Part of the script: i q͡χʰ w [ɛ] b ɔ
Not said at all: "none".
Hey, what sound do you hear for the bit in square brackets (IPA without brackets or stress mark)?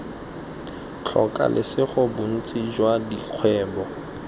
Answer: ɛː